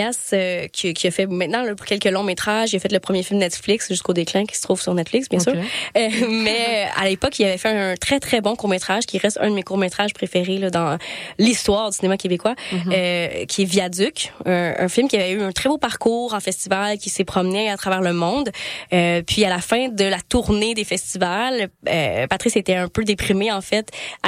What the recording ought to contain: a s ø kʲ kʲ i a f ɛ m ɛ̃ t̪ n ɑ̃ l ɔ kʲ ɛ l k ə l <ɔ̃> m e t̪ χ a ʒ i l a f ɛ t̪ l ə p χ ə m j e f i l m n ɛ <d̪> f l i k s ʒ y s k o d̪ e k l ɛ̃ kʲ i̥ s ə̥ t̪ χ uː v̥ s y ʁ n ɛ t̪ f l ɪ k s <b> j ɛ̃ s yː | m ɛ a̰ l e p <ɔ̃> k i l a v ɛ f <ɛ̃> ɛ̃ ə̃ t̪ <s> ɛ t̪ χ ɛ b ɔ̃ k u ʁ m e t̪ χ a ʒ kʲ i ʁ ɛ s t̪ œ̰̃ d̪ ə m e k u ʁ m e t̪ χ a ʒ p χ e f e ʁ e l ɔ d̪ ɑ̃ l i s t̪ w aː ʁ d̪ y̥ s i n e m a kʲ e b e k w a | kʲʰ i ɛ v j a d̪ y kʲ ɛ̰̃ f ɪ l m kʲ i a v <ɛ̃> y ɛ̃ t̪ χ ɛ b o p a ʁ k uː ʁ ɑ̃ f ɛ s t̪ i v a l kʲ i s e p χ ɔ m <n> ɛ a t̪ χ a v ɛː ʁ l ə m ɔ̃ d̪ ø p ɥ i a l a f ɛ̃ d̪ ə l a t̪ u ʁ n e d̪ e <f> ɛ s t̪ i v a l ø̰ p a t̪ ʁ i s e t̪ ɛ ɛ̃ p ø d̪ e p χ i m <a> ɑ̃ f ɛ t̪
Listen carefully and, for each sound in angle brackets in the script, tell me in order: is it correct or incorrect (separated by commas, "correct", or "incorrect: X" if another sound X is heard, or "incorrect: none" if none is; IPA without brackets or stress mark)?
correct, incorrect: t̪, correct, incorrect: ɔ, incorrect: ɛ, incorrect: χ, incorrect: ɛ, correct, correct, incorrect: e